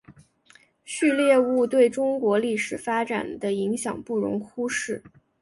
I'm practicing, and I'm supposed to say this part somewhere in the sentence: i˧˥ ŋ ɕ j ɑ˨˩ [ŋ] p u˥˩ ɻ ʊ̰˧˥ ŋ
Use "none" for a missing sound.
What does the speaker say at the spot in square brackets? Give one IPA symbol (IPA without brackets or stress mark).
ŋ